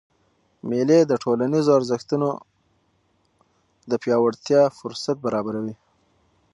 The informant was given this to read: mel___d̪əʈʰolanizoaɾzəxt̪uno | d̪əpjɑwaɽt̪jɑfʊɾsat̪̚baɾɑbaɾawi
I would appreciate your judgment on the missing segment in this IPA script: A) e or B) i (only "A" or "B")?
A